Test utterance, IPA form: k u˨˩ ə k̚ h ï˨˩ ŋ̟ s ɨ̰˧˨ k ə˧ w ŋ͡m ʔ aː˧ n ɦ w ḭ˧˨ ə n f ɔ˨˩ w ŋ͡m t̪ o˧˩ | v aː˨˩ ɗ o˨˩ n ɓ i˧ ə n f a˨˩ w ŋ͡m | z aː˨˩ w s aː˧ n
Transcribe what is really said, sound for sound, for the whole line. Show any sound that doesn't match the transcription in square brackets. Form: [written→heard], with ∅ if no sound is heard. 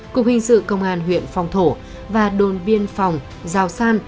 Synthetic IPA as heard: k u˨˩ ə k̚ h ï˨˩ ŋ̟ s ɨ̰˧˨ k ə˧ w ŋ͡m ʔ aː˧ n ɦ w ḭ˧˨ ə n f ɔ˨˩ w ŋ͡m [t̪→t̪ʰ] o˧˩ | v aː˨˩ ɗ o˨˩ n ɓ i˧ ə n f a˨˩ w ŋ͡m | z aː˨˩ w s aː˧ n